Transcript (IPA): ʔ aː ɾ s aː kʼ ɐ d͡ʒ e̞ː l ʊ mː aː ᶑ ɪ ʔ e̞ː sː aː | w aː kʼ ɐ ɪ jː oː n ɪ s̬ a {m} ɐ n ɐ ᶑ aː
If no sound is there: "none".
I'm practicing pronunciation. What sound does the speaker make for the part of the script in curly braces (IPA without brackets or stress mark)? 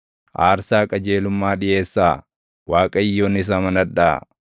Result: m